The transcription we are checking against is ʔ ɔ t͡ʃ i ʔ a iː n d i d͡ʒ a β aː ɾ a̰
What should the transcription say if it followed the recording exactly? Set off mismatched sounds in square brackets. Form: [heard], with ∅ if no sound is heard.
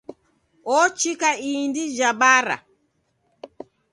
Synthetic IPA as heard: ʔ ɔ t͡ʃ i [k] a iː n d i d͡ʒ a [b] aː ɾ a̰